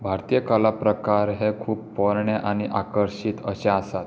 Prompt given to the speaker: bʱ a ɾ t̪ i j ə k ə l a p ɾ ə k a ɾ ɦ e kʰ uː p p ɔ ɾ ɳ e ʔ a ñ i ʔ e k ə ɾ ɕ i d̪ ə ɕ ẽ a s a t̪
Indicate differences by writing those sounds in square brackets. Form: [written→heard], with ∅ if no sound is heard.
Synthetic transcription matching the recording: bʱ a ɾ t̪ i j ə k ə l a p ɾ ə k a ɾ ɦ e kʰ uː p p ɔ ɾ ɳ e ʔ a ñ i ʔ [e→a] k ə ɾ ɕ i [d̪→t̪] ə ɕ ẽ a s a t̪